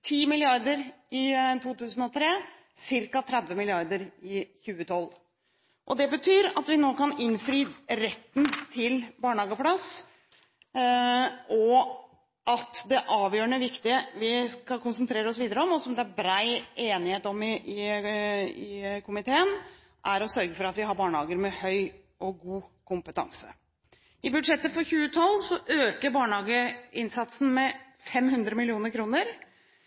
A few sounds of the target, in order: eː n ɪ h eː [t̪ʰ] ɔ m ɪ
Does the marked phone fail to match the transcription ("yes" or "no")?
yes